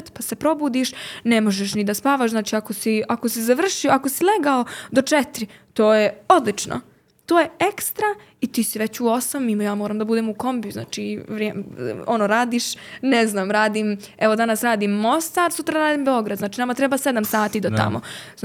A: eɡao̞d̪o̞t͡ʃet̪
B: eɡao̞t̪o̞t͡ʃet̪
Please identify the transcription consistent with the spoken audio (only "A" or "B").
A